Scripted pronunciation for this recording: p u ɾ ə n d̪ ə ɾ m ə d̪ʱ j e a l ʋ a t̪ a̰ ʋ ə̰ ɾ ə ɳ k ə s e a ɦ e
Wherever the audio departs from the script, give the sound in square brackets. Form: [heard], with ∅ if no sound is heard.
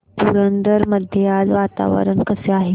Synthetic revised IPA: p u ɾ ə n d̪ ə ɾ m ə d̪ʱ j e a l ʋ a t̪ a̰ ʋ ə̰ ɾ ə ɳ k ə s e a ɦ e